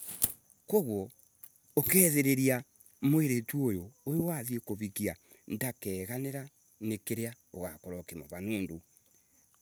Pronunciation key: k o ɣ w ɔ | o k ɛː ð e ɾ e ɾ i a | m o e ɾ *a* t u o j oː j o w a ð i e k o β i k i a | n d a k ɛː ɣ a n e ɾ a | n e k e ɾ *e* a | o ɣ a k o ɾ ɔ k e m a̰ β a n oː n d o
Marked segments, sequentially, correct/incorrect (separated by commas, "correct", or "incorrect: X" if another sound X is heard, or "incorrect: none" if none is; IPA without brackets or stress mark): incorrect: e, correct